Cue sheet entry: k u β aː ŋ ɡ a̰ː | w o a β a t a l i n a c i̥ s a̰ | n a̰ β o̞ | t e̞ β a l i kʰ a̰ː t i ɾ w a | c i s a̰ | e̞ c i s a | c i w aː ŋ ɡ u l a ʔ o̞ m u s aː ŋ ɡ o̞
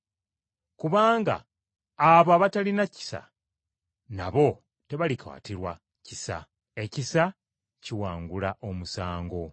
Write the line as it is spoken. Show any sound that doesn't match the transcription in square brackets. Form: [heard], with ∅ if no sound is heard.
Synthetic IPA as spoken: k u β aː ŋ ɡ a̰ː | [β] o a β a t a l i n a c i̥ s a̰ | n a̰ β o̞ | t e̞ β a l i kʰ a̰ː t i ɾ w a | c i s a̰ | e̞ c i s a | c i w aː ŋ ɡ u l a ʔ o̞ m u s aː ŋ ɡ o̞